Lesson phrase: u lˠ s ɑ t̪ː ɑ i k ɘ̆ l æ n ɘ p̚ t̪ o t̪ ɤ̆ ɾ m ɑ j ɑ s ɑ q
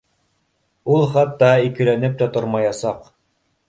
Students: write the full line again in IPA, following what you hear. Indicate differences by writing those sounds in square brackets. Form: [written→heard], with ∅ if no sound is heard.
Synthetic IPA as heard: u lˠ [s→χ] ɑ t̪ː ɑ i k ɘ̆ l æ n ɘ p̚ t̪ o t̪ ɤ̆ ɾ m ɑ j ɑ s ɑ q

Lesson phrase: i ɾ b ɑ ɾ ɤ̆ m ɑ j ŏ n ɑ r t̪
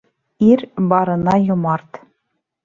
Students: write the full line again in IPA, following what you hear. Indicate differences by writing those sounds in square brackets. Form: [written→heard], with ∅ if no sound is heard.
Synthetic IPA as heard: i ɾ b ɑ ɾ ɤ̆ [m→n] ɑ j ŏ [n→m] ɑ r t̪

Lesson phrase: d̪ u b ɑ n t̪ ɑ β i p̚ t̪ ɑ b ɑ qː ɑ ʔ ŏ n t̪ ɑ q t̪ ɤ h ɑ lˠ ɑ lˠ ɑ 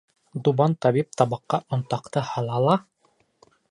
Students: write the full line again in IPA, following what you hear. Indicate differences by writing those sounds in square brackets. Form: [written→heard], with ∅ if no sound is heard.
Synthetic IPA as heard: d̪ u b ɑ n t̪ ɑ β i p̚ t̪ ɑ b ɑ qː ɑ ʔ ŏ n t̪ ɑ q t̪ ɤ h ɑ lˠ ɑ lˠ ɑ

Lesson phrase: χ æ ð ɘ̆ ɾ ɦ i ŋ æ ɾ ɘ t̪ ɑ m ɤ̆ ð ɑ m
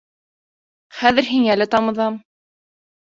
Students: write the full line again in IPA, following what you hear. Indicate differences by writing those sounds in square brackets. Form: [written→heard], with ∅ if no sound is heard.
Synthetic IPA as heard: χ æ ð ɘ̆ ɾ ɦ i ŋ æ [ɾ→l] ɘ t̪ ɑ m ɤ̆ ð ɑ m

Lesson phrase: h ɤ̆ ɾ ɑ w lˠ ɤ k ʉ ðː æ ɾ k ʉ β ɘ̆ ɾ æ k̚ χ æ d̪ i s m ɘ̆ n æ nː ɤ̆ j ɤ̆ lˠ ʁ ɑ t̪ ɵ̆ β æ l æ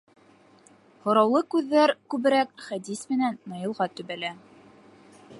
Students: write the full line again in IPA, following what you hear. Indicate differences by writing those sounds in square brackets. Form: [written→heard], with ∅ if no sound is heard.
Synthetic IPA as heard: h [ɤ̆→ŏ] ɾ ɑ w lˠ ɤ k ʉ ðː æ ɾ k ʉ β ɘ̆ ɾ æ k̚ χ æ d̪ i s m ɘ̆ n æ nː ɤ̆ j ɤ̆ lˠ ʁ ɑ t̪ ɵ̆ β æ l æ

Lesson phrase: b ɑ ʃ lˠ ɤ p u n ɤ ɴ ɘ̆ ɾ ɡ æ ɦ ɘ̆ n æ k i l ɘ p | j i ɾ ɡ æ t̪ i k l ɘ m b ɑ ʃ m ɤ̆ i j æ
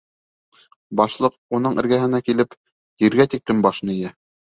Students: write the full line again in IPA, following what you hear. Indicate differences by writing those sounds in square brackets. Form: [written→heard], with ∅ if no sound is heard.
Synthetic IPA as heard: b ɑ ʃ lˠ ɤ [p→q] u n ɤ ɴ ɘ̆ ɾ ɡ æ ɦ ɘ̆ n æ k i l ɘ p | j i ɾ ɡ æ t̪ i k l ɘ m b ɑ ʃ [m→n] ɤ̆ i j æ

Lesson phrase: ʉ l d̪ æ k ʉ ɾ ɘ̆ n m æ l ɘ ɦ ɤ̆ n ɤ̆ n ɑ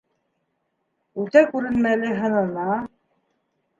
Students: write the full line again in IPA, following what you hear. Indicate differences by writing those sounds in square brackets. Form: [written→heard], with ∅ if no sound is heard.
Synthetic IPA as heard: ʉ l [d̪→t̪] æ k ʉ ɾ ɘ̆ n m æ l ɘ ɦ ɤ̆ n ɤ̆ n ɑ

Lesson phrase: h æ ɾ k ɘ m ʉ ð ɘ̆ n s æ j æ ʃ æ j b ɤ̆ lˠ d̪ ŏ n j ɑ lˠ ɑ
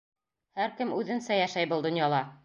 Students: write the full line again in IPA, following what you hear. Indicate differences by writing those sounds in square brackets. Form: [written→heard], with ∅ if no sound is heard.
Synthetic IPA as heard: h æ ɾ k ɘ m ʉ ð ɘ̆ n s æ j æ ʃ æ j b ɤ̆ lˠ d̪ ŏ n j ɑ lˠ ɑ

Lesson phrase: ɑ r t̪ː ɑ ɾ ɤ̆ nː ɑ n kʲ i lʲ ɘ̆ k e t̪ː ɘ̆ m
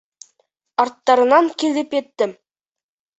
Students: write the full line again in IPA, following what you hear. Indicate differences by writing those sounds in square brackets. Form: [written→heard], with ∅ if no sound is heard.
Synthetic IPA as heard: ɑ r t̪ː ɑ ɾ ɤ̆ [nː→n] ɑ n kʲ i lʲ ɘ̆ [k→p] e t̪ː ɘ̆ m

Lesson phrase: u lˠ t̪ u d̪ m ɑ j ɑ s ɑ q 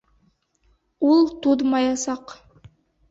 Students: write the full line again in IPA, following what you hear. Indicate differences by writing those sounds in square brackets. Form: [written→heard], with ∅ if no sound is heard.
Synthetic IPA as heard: u lˠ t̪ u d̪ m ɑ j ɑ s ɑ q

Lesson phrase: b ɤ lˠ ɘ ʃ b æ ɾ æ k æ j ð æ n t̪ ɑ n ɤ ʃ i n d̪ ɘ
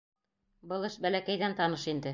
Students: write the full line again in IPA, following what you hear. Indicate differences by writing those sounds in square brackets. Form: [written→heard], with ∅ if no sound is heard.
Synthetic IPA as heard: b ɤ lˠ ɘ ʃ b æ [ɾ→l] æ k æ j ð æ n t̪ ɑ n ɤ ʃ i n d̪ ɘ

